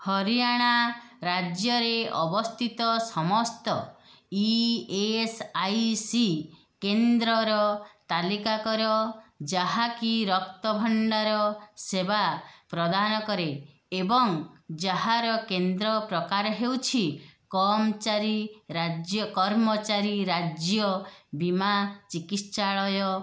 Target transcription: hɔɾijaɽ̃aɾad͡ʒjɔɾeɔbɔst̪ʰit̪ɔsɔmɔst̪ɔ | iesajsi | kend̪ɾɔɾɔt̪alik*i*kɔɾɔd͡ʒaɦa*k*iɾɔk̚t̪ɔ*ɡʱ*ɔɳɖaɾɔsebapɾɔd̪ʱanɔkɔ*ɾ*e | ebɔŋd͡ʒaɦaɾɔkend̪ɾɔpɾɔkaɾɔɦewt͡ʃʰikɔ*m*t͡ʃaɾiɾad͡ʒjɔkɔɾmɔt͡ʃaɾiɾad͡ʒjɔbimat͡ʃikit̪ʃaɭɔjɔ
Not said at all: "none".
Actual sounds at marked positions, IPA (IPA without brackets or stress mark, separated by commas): a, k, bʱ, ɾ, m